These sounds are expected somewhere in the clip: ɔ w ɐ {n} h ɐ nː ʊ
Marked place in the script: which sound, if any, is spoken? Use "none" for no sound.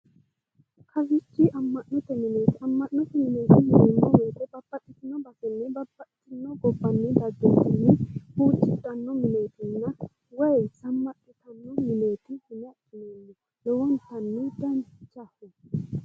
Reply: n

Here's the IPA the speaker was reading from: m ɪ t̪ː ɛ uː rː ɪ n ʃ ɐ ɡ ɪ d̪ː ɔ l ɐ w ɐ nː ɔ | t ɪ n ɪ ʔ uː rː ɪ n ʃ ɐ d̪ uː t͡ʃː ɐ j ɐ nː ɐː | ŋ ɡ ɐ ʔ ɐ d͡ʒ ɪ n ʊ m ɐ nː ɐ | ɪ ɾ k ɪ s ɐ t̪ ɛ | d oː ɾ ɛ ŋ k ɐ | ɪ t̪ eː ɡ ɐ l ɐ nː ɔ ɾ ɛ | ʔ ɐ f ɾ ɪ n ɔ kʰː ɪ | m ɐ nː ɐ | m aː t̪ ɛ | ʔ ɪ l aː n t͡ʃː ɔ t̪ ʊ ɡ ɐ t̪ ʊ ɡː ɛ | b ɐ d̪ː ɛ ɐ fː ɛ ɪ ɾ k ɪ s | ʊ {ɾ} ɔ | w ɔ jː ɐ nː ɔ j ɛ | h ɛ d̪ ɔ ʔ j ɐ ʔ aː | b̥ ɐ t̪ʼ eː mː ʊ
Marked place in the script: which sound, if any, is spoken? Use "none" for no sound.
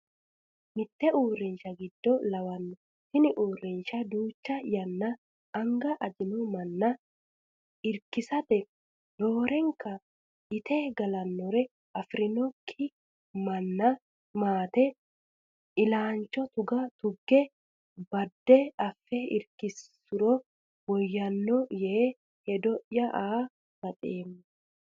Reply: ɾ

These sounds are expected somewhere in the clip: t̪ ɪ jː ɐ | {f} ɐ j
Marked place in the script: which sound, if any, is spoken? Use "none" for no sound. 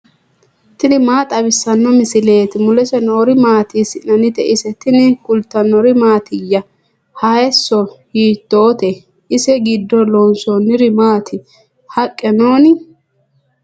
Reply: h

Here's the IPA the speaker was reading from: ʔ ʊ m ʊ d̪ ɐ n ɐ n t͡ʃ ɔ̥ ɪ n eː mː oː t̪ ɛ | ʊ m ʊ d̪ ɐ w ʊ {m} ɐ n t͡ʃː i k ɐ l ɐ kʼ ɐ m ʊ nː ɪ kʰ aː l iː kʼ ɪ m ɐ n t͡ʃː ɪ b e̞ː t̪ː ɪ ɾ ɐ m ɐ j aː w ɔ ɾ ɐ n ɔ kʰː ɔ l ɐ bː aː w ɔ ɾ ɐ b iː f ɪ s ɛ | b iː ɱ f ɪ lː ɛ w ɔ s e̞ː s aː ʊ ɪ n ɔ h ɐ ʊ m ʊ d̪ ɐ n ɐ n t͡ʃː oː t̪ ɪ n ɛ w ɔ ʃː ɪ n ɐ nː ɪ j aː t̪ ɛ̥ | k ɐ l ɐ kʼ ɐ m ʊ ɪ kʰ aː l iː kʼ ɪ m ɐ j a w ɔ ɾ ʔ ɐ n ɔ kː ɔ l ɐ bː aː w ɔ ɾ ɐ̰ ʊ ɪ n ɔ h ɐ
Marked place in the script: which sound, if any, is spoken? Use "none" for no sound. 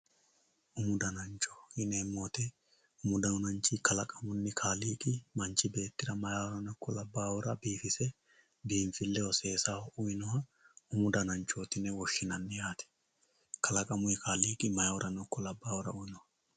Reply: n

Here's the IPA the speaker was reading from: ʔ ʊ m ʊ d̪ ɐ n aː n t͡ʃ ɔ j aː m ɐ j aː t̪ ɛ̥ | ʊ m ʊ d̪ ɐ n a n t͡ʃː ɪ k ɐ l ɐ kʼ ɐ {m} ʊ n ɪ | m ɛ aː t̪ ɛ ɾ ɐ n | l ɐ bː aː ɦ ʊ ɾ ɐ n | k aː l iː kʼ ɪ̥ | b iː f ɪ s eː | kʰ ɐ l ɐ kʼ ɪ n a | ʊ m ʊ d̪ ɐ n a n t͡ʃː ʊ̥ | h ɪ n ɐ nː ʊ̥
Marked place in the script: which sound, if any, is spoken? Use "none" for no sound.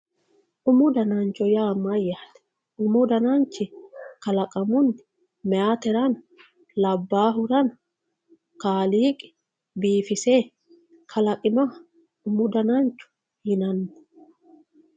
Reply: m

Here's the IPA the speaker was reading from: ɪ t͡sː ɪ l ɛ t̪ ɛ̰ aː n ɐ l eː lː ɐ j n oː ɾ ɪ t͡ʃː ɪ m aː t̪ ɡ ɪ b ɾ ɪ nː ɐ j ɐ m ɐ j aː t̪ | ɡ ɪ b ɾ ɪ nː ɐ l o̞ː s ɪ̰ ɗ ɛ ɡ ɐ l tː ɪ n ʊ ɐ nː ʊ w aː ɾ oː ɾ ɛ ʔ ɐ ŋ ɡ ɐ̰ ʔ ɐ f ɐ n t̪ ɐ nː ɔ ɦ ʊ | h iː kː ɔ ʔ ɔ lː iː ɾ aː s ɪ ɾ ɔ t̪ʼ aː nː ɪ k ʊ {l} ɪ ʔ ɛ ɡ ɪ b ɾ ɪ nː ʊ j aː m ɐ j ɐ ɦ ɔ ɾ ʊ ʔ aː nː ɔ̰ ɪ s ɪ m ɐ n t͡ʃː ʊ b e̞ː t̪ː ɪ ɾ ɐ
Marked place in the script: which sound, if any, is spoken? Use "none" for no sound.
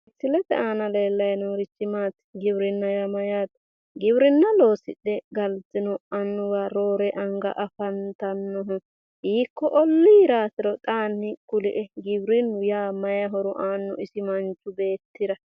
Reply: l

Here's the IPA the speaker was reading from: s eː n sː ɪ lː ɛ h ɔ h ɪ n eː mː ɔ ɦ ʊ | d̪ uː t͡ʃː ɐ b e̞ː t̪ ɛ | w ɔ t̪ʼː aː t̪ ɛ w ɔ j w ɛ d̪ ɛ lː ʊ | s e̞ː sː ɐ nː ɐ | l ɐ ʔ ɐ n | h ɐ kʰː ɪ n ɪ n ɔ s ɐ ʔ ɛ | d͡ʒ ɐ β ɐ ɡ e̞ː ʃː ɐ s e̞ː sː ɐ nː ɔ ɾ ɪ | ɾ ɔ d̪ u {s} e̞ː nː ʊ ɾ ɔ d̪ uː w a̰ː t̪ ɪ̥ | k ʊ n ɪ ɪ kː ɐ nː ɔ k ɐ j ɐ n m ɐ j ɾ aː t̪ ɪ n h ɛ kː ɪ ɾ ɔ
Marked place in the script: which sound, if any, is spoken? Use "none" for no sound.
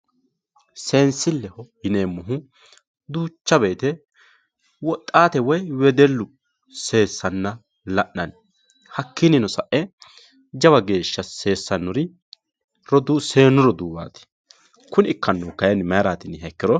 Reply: s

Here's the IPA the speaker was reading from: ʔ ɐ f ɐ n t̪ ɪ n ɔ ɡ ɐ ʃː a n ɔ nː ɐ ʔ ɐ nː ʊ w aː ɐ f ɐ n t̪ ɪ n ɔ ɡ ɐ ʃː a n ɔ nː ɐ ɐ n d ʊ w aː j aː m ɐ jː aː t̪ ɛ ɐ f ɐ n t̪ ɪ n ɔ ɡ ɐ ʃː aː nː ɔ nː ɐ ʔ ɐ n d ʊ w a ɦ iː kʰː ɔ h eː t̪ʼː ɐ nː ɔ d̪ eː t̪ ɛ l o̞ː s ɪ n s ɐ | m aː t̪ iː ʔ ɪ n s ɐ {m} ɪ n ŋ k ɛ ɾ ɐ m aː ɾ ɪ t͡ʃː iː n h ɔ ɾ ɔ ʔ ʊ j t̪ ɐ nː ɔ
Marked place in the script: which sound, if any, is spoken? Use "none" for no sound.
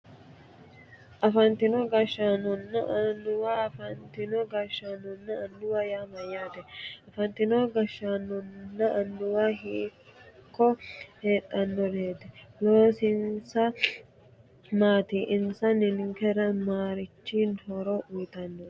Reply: n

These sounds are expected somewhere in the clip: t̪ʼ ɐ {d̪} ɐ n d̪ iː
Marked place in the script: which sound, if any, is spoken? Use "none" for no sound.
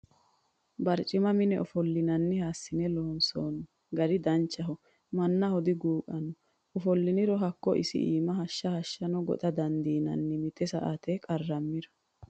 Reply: d̪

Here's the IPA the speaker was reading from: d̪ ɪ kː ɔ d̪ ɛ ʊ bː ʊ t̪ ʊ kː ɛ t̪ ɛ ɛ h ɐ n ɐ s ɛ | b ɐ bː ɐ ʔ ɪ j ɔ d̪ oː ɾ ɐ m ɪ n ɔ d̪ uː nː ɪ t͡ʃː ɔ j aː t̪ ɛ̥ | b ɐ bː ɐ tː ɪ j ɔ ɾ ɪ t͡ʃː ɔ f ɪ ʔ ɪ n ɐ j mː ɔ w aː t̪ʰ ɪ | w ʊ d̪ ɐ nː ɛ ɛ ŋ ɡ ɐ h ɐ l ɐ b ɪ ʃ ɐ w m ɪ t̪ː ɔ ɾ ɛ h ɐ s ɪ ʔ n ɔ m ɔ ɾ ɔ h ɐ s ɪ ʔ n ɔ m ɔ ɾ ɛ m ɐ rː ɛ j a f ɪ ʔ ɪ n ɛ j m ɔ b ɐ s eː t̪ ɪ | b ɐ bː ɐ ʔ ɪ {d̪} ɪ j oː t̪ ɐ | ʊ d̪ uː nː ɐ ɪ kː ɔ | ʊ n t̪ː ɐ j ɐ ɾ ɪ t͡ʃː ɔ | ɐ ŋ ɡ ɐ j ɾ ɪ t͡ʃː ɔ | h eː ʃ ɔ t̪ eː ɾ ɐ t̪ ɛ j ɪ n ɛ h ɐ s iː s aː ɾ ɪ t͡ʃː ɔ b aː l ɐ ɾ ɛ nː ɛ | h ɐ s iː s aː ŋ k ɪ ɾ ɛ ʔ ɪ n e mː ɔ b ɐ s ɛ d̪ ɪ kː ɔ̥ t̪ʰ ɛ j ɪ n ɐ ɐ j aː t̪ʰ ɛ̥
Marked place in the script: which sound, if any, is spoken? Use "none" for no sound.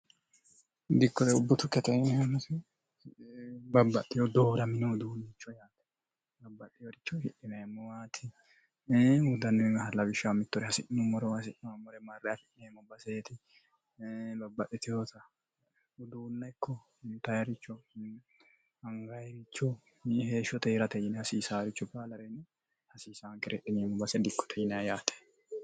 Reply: t̪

